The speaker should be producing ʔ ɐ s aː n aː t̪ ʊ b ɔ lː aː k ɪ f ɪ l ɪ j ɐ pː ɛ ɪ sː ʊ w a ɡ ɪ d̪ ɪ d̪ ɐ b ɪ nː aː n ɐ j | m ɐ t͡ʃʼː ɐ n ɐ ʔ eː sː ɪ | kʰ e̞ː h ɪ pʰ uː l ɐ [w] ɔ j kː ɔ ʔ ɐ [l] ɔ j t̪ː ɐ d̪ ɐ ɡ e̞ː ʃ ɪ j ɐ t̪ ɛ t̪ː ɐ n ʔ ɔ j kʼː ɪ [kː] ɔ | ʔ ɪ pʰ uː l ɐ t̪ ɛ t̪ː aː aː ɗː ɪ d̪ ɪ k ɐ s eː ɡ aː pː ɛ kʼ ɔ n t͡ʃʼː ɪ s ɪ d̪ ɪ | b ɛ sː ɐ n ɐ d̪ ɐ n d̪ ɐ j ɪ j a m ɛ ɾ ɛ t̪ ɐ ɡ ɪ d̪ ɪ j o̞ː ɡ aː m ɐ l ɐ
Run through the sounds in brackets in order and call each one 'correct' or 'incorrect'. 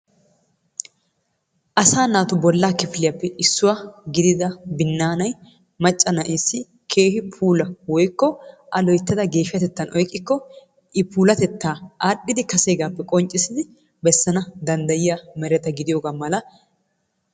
correct, correct, correct

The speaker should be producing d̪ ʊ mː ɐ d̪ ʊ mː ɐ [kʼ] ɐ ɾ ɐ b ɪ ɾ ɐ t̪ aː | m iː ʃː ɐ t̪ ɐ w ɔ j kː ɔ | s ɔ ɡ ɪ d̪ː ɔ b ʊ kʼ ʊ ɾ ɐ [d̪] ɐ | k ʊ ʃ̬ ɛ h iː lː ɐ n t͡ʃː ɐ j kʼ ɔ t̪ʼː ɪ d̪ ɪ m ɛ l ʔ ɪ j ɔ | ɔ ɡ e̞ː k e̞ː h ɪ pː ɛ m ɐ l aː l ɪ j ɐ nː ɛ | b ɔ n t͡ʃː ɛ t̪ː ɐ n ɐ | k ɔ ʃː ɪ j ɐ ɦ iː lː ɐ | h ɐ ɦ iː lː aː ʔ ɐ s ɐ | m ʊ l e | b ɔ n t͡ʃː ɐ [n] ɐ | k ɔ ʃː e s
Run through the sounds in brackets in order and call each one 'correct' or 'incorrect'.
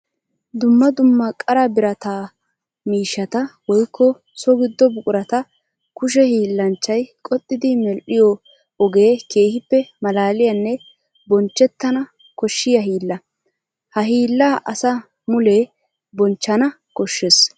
correct, incorrect, correct

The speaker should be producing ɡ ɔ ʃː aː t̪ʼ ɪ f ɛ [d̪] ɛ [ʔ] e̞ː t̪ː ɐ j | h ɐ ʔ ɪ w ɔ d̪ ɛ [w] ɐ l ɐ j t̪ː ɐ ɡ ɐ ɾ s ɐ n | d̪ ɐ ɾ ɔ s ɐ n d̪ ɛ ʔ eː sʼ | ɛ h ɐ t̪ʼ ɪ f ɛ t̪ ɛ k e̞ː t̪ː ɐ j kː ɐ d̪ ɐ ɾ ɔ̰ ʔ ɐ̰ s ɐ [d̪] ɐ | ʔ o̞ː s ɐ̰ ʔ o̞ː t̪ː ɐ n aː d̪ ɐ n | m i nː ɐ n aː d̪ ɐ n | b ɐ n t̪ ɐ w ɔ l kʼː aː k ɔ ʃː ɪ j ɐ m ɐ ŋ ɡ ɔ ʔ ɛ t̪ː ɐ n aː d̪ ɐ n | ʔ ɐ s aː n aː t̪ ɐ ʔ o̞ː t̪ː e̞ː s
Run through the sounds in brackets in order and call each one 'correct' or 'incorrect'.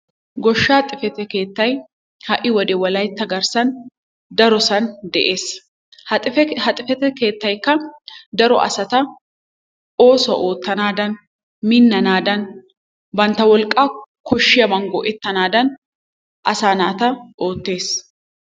incorrect, incorrect, correct, incorrect

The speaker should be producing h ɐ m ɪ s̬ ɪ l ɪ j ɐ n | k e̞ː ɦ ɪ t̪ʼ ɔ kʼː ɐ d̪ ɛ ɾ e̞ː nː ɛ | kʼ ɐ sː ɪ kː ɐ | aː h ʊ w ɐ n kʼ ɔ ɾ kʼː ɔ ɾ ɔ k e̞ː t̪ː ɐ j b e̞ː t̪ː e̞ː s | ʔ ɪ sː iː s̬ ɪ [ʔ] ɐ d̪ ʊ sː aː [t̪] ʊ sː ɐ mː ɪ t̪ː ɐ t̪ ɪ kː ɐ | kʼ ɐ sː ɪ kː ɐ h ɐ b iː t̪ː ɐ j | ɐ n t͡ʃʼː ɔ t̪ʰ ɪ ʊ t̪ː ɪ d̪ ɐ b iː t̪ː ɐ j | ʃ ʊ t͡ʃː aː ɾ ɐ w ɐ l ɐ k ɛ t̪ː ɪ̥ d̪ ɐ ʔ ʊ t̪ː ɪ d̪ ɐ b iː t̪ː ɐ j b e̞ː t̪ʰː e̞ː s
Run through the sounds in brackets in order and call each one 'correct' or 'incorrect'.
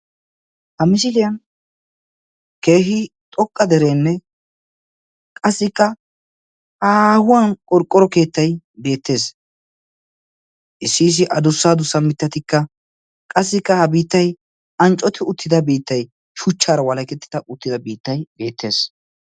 correct, incorrect

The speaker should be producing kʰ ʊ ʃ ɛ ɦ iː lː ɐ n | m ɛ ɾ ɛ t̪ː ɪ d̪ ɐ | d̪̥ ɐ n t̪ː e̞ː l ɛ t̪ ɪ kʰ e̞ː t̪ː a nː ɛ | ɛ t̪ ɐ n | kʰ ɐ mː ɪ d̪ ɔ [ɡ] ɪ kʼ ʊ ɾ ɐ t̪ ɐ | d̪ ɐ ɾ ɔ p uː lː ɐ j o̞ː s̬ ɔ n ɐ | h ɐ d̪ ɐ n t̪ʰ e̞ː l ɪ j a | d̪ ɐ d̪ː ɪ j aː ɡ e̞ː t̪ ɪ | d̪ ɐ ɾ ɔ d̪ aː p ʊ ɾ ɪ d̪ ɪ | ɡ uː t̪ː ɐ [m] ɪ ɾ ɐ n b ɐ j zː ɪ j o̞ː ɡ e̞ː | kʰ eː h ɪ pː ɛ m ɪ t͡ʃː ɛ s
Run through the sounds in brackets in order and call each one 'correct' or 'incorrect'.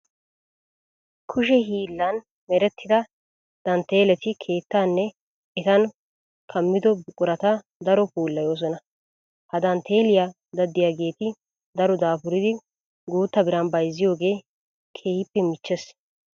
incorrect, incorrect

